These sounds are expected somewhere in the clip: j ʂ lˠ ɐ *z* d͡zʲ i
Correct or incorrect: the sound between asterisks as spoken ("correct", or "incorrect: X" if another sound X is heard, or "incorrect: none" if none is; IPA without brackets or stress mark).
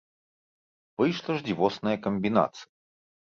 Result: incorrect: ʐ